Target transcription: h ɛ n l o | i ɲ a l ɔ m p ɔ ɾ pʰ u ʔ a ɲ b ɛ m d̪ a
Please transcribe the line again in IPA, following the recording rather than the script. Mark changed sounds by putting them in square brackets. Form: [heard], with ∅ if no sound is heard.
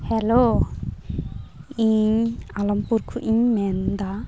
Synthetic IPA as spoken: h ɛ [∅] l o | i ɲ a l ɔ m p [u] ɾ [kʰ] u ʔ [i] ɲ [m] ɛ [n] d̪ a

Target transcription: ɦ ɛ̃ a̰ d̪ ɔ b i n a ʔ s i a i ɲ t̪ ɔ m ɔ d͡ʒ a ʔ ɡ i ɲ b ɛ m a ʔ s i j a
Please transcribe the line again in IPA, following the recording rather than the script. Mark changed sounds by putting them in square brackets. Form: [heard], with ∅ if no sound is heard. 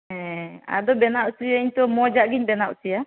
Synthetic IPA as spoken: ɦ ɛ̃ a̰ d̪ ɔ b [ɛ] n a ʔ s i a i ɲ t̪ ɔ m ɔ d͡ʒ a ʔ ɡ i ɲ b ɛ [n] a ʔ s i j a

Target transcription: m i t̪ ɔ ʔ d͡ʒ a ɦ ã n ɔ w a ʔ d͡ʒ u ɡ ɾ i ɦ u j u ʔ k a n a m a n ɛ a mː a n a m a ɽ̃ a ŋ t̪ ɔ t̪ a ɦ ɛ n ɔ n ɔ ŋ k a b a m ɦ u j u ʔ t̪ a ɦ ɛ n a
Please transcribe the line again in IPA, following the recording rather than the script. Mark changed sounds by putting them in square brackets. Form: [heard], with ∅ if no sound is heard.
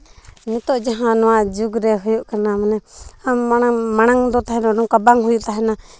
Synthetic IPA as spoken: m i t̪ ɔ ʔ d͡ʒ a ɦ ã n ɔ w a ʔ d͡ʒ u ɡ ɾ [ɛ] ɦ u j u ʔ k a n a m a n ɛ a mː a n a m a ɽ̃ a ŋ [d̪] ɔ t̪ a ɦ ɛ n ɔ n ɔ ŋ k a b a [ŋ] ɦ u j u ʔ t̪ a ɦ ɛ n a

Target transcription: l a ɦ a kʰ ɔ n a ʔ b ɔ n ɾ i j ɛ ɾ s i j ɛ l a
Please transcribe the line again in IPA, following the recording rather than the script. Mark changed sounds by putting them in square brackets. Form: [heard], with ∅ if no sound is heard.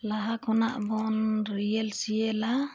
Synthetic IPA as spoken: l a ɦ a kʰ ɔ n a ʔ b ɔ n ɾ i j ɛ [l] s i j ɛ l a

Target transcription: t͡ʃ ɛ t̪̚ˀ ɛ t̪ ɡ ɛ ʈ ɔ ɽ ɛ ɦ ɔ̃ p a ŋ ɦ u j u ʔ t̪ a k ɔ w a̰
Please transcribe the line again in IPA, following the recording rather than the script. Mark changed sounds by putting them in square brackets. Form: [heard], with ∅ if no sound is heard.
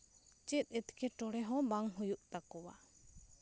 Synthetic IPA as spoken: t͡ʃ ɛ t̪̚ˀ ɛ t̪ [k] ɛ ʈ ɔ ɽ ɛ ɦ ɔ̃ [b] a ŋ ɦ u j u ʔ t̪ a k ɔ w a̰

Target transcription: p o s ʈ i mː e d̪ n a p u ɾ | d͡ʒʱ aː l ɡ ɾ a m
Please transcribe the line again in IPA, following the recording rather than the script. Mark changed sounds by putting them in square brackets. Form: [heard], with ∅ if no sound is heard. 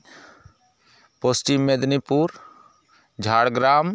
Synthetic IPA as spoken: p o s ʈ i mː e d̪ n [i] p u ɾ | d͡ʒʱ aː [ɽ] ɡ ɾ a m

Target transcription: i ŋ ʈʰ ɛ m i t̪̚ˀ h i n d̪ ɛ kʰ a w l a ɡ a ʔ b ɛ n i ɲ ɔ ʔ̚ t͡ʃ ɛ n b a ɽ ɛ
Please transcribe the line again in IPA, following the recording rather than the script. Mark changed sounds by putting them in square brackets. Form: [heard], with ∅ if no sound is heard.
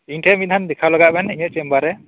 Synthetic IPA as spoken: i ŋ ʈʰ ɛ m i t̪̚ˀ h [a] n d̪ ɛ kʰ a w l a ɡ a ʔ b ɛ n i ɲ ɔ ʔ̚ t͡ʃ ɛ [m] b a [ɾ] ɛ

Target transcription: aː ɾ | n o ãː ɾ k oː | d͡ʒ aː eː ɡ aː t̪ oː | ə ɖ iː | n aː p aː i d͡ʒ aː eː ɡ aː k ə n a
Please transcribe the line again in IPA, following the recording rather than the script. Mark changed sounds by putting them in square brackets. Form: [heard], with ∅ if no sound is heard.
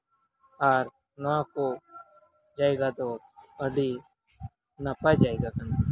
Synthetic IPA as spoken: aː ɾ | n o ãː [∅] k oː | d͡ʒ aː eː ɡ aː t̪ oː | ə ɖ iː | n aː p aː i d͡ʒ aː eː ɡ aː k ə n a

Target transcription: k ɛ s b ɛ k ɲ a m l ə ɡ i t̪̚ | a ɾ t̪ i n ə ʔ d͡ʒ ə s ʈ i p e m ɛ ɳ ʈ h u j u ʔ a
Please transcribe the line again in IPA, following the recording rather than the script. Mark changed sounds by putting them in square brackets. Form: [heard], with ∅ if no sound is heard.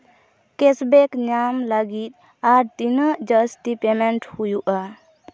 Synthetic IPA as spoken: k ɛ s b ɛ k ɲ a m l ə ɡ i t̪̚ | a ɾ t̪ i n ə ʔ d͡ʒ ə s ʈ i p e m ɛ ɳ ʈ h u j u ʔ a

